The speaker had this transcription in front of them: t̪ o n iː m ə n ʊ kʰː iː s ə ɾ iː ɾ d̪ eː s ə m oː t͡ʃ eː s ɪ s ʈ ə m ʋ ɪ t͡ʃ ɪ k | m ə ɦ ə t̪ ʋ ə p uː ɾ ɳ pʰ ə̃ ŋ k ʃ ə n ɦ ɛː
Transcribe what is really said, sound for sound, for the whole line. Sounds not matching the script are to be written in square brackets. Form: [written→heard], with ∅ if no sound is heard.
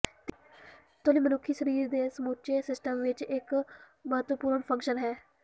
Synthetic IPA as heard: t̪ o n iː m ə n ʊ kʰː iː s ə ɾ iː ɾ d̪ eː s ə m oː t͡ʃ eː s ɪ s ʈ ə m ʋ ɪ t͡ʃ ɪ k | m ə ɦ ə t̪ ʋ ə p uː ɾ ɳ pʰ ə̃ ŋ k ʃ ə n ɦ ɛː